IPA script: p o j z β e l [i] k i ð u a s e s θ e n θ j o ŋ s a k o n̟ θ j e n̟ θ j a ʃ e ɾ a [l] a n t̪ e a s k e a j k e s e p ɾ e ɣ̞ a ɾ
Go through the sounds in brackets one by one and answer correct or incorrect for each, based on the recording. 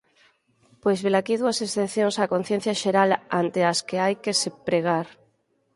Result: incorrect: a, correct

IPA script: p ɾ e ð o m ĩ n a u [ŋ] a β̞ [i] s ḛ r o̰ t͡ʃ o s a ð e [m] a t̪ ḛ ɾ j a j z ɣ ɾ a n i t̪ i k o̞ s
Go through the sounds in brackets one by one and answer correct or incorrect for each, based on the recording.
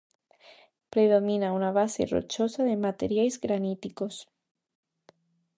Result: incorrect: n, incorrect: a, correct

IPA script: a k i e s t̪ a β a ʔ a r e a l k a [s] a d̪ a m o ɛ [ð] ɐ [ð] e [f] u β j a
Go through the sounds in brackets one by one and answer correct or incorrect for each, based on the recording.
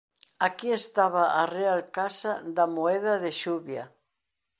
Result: correct, correct, correct, incorrect: ʃ

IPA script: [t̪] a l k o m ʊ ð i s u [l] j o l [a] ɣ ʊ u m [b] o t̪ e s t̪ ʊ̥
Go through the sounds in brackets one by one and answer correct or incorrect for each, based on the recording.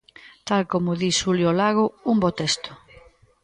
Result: correct, correct, correct, correct

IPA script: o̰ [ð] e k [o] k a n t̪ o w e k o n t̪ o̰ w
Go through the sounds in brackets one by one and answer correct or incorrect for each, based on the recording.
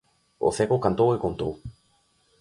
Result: incorrect: θ, correct

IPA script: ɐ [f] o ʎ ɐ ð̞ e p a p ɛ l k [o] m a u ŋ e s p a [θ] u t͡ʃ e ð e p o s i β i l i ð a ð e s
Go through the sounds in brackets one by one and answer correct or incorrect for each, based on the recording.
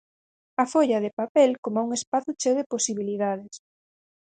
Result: correct, correct, correct

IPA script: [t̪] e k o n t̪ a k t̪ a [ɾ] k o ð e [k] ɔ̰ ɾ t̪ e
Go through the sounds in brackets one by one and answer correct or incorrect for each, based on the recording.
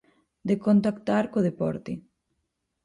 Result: incorrect: d̪, correct, incorrect: p

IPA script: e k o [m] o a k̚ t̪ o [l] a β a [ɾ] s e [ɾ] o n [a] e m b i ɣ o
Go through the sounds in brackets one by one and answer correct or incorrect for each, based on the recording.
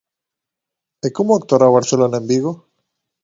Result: correct, incorrect: ɾ, correct, incorrect: l, correct

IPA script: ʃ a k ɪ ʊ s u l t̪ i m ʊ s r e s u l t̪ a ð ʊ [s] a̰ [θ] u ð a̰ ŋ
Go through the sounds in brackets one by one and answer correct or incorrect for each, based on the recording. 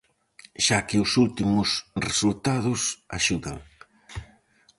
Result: correct, incorrect: ʃ

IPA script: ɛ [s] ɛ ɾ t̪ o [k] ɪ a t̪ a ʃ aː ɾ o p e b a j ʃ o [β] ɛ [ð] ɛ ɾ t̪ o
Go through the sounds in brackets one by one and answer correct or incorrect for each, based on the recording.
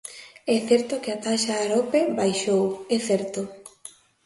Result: incorrect: θ, correct, incorrect: w, incorrect: θ

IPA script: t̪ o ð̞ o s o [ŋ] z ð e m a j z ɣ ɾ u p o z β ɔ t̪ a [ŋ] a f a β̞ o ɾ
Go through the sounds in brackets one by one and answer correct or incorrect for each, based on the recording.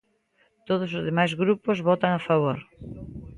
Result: incorrect: none, correct

